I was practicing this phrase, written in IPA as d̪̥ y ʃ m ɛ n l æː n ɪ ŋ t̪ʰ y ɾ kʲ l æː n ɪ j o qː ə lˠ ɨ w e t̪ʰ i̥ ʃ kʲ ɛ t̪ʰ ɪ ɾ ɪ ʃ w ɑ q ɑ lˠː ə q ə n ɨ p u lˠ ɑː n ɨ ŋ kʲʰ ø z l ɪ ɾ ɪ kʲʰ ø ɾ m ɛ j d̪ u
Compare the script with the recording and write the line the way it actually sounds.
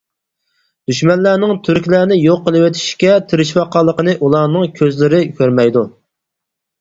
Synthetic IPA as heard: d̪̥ y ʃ m ɛ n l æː n ɪ ŋ t̪ʰ y ɾ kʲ l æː n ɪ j o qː ə lˠ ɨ w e t̪ʰ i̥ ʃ kʲ ɛ t̪ʰ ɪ ɾ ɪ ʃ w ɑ q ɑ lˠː ə q ə n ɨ ʔ u lˠ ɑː n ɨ ŋ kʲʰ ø z l ɪ ɾ ɪ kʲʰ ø ɾ m ɛ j d̪ u